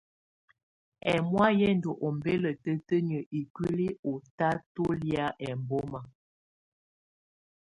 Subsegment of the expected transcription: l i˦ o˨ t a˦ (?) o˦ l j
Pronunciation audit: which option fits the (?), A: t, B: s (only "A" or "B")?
A